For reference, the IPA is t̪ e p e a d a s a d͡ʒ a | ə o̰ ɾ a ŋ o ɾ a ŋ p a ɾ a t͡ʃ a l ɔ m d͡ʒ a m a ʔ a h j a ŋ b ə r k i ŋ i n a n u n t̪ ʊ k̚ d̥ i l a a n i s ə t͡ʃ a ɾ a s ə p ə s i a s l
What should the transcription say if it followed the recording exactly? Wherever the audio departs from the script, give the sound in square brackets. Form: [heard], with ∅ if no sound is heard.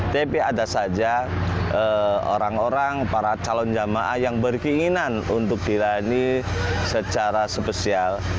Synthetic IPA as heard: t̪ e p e a d a s a d͡ʒ a | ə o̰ ɾ a ŋ o ɾ a ŋ p a ɾ a t͡ʃ a l ɔ [n] d͡ʒ a m a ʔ a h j a ŋ b ə r k i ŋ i n a n u n t̪ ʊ k̚ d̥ i l a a n i s ə t͡ʃ a ɾ a s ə p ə s i a [∅] l